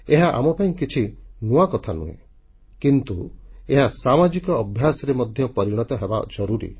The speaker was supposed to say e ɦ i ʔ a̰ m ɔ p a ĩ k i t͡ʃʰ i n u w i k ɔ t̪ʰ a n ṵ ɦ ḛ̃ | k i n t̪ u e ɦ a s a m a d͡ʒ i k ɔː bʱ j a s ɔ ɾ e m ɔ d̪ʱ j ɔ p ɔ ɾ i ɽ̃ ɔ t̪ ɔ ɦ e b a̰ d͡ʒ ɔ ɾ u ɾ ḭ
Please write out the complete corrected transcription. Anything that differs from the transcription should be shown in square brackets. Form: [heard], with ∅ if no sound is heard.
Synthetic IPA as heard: e ɦ [a] ʔ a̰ m ɔ p a ĩ k i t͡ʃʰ i n u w [a] k ɔ t̪ʰ a n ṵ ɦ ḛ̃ | k i n t̪ u e ɦ a s a m a d͡ʒ i k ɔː bʱ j a s ɔ ɾ e m ɔ d̪ʱ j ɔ p ɔ ɾ i ɽ̃ ɔ t̪ ɔ ɦ e b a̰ d͡ʒ ɔ ɾ u ɾ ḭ

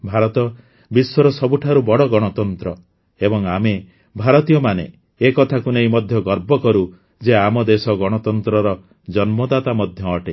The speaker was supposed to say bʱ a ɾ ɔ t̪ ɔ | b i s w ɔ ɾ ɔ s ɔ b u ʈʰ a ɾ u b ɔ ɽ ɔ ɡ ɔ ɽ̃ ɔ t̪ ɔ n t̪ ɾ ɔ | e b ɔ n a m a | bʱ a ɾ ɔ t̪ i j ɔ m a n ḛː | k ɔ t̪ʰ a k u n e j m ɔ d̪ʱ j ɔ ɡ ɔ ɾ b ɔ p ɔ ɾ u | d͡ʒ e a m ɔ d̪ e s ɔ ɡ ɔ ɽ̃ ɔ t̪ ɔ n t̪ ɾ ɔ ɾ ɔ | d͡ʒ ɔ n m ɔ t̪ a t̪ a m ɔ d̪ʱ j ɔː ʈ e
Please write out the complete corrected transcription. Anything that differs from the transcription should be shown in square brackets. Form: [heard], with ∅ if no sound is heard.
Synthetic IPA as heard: bʱ a ɾ ɔ t̪ ɔ | b i s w ɔ ɾ ɔ s ɔ b u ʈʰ a ɾ u b ɔ ɽ ɔ ɡ ɔ ɽ̃ ɔ t̪ ɔ n t̪ ɾ ɔ | e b ɔ [ŋ] a m [e] | bʱ a ɾ ɔ t̪ i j ɔ m a n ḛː | k ɔ t̪ʰ a k u n e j m ɔ d̪ʱ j ɔ ɡ ɔ ɾ b ɔ [k] ɔ ɾ u | d͡ʒ e a m ɔ d̪ e s ɔ ɡ ɔ ɽ̃ ɔ t̪ ɔ n t̪ ɾ ɔ ɾ ɔ | d͡ʒ ɔ n m ɔ [d̪] a t̪ a m ɔ d̪ʱ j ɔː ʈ e

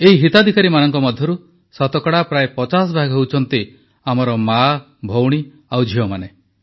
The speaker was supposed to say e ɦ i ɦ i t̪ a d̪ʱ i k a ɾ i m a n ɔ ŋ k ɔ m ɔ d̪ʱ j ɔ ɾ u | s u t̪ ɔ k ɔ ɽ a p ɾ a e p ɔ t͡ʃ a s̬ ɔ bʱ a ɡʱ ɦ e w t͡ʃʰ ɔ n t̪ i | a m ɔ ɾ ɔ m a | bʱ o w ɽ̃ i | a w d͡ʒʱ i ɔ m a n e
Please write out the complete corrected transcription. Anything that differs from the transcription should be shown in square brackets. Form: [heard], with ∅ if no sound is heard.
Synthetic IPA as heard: e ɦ i ɦ i t̪ a d̪ʱ i k a ɾ i m a n ɔ ŋ k ɔ m ɔ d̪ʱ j ɔ ɾ u | s [ɔ] t̪ ɔ k ɔ ɽ a p ɾ a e p ɔ t͡ʃ a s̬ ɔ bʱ a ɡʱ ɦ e w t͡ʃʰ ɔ n t̪ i | a m ɔ ɾ ɔ m a | bʱ o w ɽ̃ i | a w d͡ʒʱ i ɔ m a n e

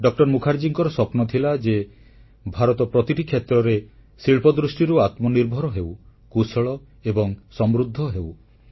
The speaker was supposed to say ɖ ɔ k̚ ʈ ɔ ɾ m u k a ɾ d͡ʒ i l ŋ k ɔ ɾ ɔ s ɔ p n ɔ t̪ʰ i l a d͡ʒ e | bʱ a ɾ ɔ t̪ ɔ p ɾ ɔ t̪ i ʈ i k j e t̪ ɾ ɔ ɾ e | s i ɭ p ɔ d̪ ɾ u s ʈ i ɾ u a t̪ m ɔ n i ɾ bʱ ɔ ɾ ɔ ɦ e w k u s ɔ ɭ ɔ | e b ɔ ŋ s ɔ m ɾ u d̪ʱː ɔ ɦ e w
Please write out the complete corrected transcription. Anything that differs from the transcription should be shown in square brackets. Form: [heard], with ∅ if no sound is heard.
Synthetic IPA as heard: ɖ ɔ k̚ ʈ ɔ ɾ m u [kʰ] a ɾ d͡ʒ i [∅] ŋ k ɔ ɾ ɔ s ɔ p n ɔ t̪ʰ i l a d͡ʒ e | bʱ a ɾ ɔ t̪ ɔ p ɾ ɔ t̪ i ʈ i [kʰ] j e t̪ ɾ ɔ ɾ e | s i ɭ p ɔ d̪ ɾ u s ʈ i ɾ u a t̪ m ɔ n i ɾ bʱ ɔ ɾ ɔ ɦ e w k u s ɔ ɭ ɔ | e b ɔ ŋ s ɔ m ɾ u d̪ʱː ɔ ɦ e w

